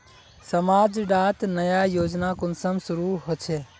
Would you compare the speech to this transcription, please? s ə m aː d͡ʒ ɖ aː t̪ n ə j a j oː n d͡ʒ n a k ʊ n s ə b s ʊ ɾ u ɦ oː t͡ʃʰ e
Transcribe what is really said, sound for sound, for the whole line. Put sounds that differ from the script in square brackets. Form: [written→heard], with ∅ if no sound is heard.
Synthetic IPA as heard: s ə m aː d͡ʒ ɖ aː t̪ n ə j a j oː [n→∅] d͡ʒ n a k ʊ n s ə [b→m] s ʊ ɾ u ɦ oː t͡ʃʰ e